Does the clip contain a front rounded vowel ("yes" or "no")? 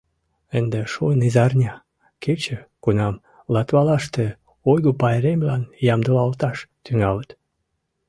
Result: yes